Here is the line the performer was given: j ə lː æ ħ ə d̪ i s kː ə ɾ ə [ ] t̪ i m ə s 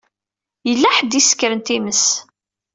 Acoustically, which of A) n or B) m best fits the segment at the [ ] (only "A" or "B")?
A